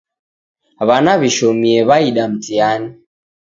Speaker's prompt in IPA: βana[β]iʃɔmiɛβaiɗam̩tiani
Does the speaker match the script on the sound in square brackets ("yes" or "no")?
yes